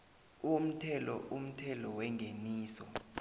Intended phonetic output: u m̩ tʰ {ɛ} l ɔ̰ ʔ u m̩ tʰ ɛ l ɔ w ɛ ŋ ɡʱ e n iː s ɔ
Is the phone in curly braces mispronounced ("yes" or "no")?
no